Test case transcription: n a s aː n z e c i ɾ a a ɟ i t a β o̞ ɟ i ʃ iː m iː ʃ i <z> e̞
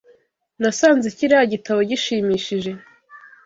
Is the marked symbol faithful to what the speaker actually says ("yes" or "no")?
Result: no